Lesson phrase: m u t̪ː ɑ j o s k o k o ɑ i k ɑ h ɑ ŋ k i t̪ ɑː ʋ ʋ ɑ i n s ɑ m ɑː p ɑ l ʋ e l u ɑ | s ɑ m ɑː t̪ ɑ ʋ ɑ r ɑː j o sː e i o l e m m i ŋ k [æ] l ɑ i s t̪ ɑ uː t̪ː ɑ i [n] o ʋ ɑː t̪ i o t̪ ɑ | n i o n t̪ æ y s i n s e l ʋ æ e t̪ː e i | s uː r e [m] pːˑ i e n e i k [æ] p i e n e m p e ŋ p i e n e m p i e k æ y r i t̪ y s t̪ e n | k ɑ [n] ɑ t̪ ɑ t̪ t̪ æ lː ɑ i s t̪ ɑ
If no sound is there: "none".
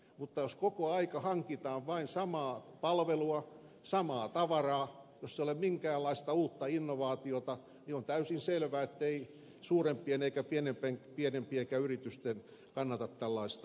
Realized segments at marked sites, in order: æː, nː, m, æ, nː

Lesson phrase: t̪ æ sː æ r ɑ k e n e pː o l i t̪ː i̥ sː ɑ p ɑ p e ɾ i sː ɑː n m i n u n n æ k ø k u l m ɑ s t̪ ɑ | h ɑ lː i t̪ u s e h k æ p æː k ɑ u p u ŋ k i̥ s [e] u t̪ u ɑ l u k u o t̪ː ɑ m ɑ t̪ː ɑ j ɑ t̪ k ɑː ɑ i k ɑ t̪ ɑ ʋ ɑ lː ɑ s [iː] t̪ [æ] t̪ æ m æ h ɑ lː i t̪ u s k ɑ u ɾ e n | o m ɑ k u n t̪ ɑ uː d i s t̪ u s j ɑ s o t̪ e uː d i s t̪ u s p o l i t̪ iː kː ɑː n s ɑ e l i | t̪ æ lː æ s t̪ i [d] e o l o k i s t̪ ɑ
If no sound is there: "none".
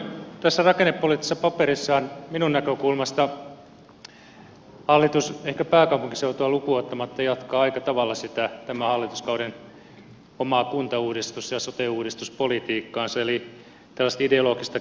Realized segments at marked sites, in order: e, i, æ, d

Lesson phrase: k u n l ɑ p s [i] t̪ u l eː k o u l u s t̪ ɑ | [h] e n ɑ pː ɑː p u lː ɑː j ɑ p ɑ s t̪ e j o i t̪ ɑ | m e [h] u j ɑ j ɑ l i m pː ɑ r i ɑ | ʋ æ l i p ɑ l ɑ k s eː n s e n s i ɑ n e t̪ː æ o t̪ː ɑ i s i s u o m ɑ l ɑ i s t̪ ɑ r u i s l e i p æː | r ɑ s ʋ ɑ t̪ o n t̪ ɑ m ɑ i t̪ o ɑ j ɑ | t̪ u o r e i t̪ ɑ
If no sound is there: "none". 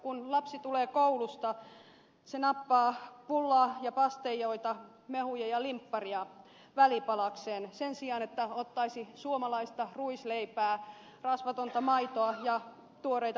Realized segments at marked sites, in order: i, s, h

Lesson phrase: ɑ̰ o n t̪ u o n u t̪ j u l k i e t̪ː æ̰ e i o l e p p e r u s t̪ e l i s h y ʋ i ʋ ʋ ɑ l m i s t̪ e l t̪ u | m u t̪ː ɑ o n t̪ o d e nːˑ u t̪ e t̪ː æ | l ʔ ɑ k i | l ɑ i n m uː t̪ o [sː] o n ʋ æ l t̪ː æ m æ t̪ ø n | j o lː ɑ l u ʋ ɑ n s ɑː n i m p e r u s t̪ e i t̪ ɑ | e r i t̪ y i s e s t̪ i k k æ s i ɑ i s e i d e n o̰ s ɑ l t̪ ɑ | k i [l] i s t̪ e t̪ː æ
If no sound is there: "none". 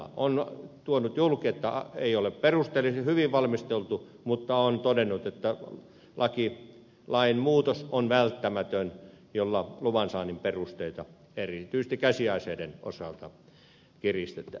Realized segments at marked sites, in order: s, r

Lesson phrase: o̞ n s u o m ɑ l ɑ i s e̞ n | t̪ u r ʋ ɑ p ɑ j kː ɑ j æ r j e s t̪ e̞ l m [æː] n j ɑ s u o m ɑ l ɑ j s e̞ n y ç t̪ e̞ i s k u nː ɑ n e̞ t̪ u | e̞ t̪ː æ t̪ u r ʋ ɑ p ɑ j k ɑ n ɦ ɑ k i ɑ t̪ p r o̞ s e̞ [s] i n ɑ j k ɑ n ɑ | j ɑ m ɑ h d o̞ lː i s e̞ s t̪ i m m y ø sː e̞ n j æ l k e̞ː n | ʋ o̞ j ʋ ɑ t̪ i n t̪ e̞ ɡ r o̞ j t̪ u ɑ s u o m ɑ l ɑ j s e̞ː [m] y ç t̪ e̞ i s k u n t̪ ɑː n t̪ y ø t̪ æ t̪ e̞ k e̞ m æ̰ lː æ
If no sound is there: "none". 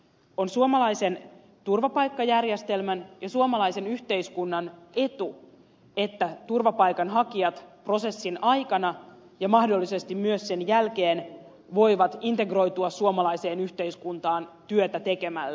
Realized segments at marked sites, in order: æ, sː, n

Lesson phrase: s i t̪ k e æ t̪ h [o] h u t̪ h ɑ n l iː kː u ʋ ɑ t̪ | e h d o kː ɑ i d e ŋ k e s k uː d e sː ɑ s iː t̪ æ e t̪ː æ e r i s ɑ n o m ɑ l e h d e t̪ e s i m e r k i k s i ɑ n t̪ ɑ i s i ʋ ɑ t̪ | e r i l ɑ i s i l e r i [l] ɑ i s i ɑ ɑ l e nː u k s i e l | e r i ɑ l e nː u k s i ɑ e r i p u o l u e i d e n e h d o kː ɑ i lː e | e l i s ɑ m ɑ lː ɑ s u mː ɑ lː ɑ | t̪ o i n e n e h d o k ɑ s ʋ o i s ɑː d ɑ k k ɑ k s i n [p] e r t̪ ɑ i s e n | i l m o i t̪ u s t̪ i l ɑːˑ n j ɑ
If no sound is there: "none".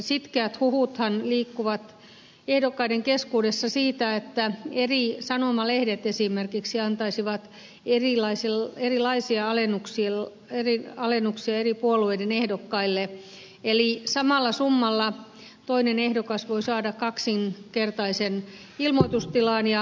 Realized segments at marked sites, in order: u, l, k

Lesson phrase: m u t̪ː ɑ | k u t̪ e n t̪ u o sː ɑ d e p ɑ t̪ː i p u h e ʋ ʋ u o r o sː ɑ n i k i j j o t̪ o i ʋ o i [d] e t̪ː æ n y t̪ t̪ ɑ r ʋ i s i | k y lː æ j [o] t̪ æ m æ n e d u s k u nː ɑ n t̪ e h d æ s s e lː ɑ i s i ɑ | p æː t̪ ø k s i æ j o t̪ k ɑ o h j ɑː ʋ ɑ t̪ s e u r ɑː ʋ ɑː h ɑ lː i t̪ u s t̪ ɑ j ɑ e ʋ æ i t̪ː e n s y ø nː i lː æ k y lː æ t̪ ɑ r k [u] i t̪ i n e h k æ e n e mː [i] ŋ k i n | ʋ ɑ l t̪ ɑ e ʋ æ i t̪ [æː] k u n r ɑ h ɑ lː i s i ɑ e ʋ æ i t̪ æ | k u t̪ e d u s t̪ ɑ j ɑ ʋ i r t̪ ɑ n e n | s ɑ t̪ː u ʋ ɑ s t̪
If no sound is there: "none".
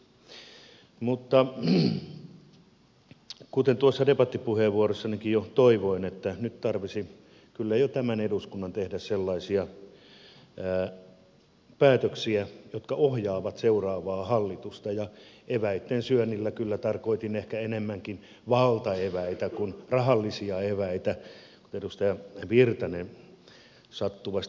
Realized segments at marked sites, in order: n, o, o, æ, æ

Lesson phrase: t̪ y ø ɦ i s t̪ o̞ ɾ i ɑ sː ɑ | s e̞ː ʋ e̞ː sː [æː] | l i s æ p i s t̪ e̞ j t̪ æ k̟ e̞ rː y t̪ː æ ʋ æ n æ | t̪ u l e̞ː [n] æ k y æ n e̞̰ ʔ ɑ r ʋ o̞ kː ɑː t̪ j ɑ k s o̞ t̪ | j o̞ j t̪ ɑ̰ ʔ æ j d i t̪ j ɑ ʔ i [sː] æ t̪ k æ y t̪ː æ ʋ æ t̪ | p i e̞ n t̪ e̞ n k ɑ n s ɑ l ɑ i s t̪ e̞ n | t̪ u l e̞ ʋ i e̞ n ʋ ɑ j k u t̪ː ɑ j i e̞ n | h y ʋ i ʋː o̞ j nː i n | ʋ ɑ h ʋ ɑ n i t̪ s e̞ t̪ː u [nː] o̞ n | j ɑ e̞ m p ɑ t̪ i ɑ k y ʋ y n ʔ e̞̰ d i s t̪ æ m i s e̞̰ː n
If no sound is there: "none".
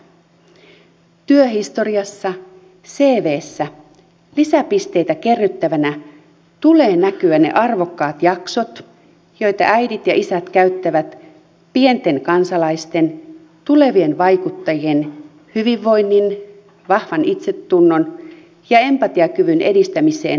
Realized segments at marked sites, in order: æ, n, s, nː

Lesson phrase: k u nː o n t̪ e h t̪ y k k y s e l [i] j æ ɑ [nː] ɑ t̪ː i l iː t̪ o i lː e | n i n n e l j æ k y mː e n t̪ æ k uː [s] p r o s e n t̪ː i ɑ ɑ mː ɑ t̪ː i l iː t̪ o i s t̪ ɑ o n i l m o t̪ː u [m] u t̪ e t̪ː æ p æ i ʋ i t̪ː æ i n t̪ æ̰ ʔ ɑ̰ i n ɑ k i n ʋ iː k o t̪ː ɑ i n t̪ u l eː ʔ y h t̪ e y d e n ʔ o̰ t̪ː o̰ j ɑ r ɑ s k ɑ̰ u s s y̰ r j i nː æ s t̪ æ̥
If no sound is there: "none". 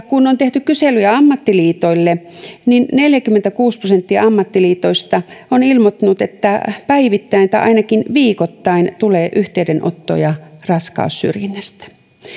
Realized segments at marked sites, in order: y, mː, s, n

